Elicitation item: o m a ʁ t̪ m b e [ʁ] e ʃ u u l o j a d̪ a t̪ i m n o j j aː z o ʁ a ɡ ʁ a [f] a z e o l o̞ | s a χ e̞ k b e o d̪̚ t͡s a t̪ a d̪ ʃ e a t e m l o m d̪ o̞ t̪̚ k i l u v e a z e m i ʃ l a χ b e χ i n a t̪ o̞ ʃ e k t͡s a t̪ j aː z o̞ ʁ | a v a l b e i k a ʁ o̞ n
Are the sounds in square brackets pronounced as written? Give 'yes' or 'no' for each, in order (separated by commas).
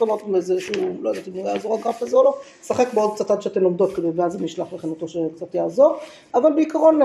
no, yes